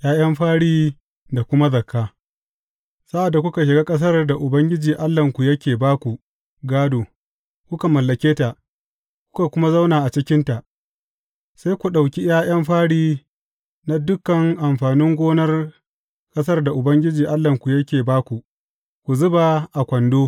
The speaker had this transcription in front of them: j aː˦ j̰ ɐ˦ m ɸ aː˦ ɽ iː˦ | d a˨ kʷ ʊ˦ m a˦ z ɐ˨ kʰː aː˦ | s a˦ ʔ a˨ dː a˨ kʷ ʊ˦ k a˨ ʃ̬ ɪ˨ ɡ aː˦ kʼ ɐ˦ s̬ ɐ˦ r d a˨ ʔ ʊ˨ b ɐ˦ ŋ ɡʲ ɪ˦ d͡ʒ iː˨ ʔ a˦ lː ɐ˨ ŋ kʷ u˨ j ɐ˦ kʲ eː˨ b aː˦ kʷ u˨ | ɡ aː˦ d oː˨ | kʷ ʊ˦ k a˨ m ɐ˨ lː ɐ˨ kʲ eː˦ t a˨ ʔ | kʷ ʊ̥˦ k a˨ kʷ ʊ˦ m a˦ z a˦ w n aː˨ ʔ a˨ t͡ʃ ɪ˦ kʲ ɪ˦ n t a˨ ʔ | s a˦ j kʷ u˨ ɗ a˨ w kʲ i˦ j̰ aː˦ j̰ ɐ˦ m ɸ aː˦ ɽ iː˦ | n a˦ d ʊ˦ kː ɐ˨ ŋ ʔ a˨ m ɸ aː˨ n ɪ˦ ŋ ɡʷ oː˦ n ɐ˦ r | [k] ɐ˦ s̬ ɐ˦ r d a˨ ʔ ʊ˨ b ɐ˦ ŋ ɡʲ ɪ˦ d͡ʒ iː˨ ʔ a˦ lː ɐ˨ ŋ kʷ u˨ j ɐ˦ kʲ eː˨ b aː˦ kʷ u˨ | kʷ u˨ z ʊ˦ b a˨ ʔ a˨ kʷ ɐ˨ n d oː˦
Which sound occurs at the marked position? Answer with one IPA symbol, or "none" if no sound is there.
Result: kʼ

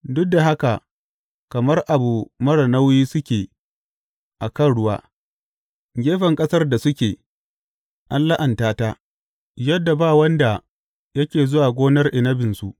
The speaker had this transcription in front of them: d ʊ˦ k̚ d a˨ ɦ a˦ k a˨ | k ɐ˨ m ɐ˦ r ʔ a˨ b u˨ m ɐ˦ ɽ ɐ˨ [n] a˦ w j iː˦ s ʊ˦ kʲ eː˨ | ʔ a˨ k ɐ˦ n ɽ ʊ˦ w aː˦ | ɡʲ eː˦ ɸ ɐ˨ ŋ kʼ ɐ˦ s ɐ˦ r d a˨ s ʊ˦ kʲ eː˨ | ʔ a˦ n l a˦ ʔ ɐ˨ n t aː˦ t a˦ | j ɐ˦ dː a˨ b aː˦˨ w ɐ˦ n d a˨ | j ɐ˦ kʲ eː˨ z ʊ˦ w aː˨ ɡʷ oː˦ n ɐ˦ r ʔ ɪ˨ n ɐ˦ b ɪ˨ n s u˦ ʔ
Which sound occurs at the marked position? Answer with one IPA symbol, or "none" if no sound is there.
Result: n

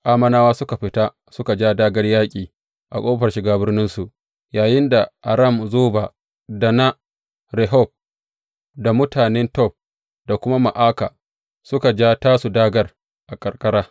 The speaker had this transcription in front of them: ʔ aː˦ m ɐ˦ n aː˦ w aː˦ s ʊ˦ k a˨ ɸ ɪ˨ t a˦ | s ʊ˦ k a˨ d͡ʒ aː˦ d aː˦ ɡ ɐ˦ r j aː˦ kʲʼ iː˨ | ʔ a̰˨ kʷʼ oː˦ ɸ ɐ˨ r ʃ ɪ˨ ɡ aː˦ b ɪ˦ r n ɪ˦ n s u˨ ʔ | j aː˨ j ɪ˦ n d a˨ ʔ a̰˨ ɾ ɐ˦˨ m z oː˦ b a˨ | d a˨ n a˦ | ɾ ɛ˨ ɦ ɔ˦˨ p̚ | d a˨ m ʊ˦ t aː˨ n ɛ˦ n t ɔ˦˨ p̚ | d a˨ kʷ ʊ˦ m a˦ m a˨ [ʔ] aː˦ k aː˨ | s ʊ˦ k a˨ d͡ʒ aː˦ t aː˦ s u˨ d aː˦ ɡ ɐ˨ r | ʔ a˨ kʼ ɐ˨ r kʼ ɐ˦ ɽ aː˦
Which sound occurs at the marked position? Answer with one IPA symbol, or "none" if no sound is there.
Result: ʔ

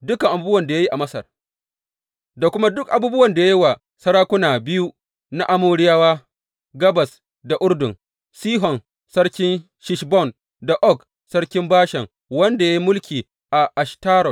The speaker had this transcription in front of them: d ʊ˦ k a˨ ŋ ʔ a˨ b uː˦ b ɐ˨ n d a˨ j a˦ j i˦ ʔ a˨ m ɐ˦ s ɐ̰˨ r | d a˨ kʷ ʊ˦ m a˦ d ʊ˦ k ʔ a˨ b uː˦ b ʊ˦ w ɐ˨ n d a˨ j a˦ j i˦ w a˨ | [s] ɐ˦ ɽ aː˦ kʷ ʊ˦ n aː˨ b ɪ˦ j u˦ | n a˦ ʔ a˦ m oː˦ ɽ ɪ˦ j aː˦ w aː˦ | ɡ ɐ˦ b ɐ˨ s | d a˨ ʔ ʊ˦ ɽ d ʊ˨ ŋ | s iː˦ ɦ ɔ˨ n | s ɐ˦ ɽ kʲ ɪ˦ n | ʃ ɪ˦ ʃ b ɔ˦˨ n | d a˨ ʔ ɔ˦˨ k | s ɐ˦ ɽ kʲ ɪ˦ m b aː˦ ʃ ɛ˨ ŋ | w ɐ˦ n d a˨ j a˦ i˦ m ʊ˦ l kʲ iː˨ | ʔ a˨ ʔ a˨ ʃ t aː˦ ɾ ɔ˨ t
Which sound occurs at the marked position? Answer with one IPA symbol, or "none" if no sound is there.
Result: s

